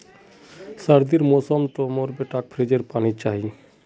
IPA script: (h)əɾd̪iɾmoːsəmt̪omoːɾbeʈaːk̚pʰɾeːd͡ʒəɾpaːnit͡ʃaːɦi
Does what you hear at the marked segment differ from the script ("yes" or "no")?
yes